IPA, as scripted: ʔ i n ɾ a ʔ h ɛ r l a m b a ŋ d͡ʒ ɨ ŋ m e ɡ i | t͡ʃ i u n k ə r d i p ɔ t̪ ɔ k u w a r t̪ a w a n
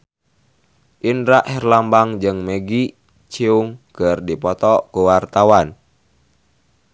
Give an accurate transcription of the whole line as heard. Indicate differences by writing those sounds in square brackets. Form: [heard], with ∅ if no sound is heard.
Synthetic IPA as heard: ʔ i n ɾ a ʔ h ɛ r l a m b a ŋ d͡ʒ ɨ ŋ m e ɡ i | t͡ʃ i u [ŋ] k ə r d i p ɔ t̪ ɔ k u w a r t̪ a w a n